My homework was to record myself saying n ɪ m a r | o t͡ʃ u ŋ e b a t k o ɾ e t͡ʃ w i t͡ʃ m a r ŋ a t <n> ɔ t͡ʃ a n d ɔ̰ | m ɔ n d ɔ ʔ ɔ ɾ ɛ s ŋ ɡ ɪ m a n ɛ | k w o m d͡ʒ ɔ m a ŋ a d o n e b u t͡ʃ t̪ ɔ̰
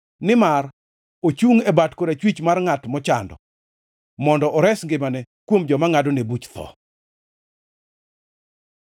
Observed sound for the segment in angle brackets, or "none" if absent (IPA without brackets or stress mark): m